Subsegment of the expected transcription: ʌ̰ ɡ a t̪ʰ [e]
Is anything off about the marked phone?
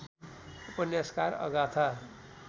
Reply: yes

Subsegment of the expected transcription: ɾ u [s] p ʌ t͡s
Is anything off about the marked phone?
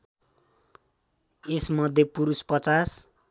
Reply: no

